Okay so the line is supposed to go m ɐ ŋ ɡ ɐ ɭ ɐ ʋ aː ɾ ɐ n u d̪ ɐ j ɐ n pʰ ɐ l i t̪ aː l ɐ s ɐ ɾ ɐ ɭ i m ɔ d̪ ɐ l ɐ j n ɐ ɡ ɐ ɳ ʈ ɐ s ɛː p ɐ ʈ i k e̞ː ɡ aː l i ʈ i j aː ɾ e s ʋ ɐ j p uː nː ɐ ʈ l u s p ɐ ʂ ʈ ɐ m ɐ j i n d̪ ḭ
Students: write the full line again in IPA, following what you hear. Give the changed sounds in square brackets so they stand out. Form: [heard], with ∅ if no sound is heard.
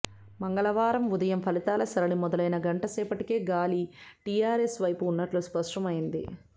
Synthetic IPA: m ɐ ŋ ɡ ɐ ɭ ɐ ʋ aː ɾ ɐ [m] u d̪ ɐ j ɐ [m] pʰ ɐ l i t̪ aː l ɐ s ɐ ɾ ɐ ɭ i m ɔ d̪ ɐ l ɐ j n ɐ ɡ ɐ ɳ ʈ ɐ s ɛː p ɐ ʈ i k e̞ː ɡ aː l i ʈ i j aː ɾ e s ʋ ɐ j p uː nː ɐ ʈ l u s p ɐ ʂ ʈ ɐ m ɐ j i n d̪ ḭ

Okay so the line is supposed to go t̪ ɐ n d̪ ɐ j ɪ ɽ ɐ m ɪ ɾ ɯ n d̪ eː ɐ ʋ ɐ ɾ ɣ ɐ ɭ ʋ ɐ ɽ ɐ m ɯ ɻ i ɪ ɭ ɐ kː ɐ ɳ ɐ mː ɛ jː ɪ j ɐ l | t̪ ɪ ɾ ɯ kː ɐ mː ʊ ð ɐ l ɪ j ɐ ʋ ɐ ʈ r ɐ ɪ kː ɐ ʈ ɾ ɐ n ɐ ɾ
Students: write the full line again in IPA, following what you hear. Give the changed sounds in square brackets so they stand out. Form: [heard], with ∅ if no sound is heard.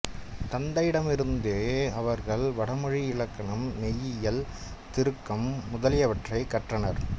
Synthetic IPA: t̪ ɐ n d̪ ɐ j ɪ ɽ ɐ m ɪ ɾ ɯ n d̪ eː ɐ ʋ ɐ ɾ ɣ ɐ ɭ ʋ ɐ ɽ ɐ m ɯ ɻ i ɪ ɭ ɐ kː ɐ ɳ ɐ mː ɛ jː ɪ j ɐ l | t̪ ɪ ɾ ɯ kː ɐ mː ʊ ð ɐ l ɪ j ɐ ʋ ɐ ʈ r ɐ ɪ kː ɐ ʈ [r] ɐ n ɐ ɾ

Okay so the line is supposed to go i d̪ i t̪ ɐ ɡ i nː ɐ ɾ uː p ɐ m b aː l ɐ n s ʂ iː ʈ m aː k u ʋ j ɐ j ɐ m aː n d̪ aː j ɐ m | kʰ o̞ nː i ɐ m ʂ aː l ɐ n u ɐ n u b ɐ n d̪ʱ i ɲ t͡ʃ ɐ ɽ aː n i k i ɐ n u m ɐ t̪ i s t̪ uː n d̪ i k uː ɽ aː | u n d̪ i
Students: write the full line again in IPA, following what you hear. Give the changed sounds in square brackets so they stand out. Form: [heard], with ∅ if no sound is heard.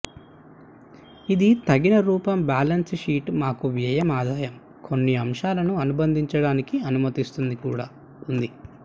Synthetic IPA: i d̪ i t̪ ɐ ɡ i [n] ɐ ɾ uː p ɐ m b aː l ɐ n s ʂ iː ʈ m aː k u ʋ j ɐ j ɐ m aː [∅] d̪ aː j ɐ m | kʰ o̞ nː i ɐ m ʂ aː l ɐ n u ɐ n u b ɐ n d̪ʱ i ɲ t͡ʃ ɐ ɽ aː n i k i ɐ n u m ɐ t̪ i s t̪ [u] n d̪ i k uː ɽ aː | u n d̪ i

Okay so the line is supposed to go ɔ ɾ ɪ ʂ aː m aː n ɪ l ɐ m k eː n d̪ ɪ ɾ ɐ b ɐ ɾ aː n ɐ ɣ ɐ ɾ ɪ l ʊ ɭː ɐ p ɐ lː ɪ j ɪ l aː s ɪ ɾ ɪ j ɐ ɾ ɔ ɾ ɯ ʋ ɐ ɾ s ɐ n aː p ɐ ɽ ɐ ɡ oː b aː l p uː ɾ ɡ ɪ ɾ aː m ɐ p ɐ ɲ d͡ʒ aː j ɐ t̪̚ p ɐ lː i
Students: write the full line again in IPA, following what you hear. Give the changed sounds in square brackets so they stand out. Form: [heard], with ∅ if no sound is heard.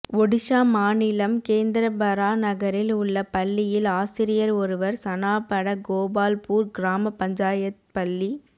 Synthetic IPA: ɔ [ɽ] ɪ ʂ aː m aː n ɪ l ɐ m k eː n d̪ ɪ ɾ ɐ b ɐ ɾ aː n ɐ ɣ ɐ ɾ ɪ l ʊ ɭː ɐ p ɐ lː ɪ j ɪ l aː s ɪ ɾ ɪ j ɐ ɾ ɔ ɾ ɯ ʋ ɐ ɾ s ɐ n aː p ɐ ɽ ɐ ɡ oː b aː l p uː ɾ ɡ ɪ ɾ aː m ɐ p ɐ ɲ d͡ʒ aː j ɐ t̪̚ p ɐ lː i

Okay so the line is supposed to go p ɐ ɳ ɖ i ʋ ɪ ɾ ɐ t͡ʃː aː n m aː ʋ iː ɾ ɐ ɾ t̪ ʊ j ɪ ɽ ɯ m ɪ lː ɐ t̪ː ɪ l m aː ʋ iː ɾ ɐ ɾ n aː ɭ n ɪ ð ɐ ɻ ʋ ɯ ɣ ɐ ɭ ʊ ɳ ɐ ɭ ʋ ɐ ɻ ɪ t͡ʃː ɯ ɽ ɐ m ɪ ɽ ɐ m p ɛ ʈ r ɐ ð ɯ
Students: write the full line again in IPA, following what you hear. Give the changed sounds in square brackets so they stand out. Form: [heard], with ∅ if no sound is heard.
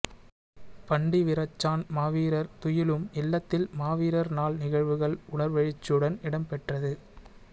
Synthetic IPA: p ɐ ɳ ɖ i ʋ ɪ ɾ ɐ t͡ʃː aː n m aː ʋ iː ɾ ɐ ɾ t̪ ʊ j ɪ [l] ɯ m ɪ lː ɐ t̪ː ɪ l m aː ʋ iː ɾ ɐ ɾ n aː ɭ n ɪ [ɣ] ɐ ɻ ʋ ɯ ɣ ɐ ɭ ʊ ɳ ɐ [ɾ] ʋ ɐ ɻ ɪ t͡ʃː ɯ ɽ ɐ [n] ɪ ɽ ɐ m p ɛ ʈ r ɐ ð ɯ

